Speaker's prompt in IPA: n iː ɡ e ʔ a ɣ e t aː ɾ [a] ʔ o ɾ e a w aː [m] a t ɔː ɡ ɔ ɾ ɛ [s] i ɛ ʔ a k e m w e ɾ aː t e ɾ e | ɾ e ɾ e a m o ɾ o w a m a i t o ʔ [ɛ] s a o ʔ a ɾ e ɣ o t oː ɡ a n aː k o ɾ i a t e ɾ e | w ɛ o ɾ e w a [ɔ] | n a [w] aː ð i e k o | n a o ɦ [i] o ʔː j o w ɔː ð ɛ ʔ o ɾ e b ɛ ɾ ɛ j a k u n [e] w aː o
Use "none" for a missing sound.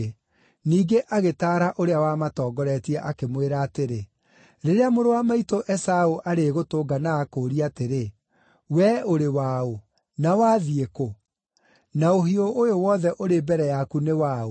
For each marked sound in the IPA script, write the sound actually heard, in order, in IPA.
a, m, t, ɛ, o, w, i, e

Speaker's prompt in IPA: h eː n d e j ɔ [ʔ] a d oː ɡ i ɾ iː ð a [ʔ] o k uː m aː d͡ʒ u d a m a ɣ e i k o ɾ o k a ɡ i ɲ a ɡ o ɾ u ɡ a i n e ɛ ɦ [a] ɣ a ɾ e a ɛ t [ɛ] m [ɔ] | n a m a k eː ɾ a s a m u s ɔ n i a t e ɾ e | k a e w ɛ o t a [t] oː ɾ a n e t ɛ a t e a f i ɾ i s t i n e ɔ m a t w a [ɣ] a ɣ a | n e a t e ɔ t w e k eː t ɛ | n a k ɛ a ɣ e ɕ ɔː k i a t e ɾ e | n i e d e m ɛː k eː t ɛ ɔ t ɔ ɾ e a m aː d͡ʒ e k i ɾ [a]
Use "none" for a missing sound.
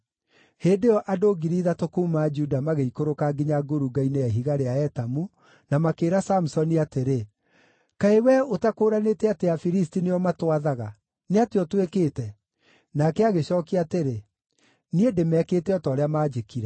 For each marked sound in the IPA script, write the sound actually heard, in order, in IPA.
ʔ, t, i, a, u, k, ð, ɛ

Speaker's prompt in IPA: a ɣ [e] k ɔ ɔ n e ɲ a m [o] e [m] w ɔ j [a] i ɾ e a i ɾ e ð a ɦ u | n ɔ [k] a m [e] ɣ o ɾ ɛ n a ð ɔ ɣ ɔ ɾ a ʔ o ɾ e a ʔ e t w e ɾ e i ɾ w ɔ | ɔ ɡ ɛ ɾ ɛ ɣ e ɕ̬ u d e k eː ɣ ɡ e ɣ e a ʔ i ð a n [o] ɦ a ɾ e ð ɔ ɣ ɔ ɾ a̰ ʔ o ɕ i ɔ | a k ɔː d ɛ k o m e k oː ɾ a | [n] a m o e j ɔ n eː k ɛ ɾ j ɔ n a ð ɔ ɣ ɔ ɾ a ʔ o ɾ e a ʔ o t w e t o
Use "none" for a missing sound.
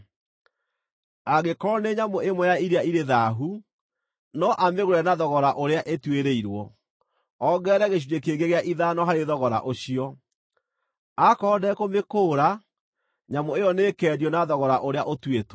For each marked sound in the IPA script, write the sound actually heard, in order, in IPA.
e, o, m, a, ʔ, e, ɔ, ɲ

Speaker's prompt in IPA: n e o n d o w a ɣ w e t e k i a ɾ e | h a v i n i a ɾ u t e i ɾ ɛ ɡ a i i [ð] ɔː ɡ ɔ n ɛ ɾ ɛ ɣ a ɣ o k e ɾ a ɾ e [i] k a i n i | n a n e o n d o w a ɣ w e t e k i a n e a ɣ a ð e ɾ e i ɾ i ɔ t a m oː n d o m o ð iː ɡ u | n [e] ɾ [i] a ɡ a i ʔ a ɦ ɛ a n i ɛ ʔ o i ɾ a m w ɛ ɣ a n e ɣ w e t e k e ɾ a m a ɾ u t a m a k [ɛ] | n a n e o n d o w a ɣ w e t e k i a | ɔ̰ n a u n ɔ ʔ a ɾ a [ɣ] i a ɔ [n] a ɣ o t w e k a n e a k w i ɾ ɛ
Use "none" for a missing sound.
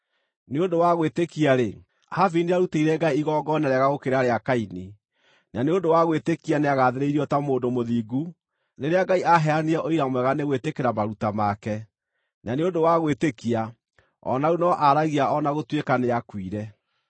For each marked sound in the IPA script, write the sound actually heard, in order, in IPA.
ɣ, a, e, e, ɛ, ɣ, n

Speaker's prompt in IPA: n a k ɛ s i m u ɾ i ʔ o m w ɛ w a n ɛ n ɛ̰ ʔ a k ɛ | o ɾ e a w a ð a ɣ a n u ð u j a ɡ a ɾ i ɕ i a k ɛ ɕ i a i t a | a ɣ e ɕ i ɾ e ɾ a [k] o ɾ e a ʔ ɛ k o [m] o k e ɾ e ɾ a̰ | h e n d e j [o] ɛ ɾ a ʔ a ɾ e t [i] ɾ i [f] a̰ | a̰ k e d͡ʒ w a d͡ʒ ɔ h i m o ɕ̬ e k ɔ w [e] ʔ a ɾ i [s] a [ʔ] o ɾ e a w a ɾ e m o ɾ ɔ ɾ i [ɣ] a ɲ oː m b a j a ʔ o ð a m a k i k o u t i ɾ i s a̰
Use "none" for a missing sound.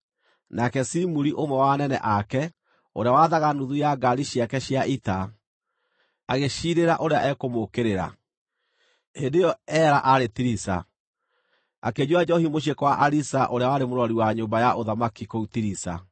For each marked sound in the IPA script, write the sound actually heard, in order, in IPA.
ʔ, m, ɔ, i, s, a, s, ʔ, w

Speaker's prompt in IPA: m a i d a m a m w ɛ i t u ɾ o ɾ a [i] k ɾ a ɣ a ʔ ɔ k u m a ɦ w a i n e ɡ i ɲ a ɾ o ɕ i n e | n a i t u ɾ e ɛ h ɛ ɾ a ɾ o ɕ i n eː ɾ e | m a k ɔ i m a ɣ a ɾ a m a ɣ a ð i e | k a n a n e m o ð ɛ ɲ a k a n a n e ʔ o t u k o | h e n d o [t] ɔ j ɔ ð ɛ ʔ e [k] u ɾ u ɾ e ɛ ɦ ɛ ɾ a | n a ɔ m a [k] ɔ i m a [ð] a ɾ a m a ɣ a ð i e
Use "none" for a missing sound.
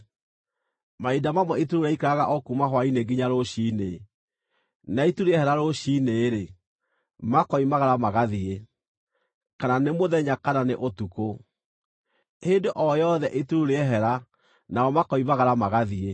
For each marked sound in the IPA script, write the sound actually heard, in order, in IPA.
i, ʔ, t, k, ɣ

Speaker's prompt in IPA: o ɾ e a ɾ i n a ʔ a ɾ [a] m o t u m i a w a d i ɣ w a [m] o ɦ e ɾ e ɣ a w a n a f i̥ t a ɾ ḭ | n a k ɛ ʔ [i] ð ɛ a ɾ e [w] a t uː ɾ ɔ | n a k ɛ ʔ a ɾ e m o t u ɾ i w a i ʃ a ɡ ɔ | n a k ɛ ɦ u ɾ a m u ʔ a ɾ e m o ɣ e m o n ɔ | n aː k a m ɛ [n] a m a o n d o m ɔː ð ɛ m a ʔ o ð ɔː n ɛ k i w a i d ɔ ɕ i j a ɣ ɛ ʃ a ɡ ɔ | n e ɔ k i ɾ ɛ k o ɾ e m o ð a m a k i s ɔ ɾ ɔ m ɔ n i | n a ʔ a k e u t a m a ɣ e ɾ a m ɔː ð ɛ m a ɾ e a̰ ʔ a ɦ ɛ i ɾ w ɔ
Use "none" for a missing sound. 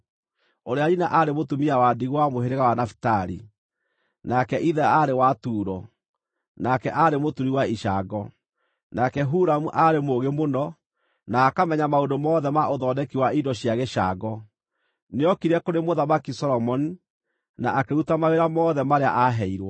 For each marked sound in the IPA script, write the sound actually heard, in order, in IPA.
e, m, i, w, ɲ

